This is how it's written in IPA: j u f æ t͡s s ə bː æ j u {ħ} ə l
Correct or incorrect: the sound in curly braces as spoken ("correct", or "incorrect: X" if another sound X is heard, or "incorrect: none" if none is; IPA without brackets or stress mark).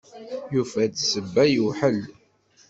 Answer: correct